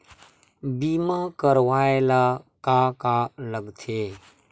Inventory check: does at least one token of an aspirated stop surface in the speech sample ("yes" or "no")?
yes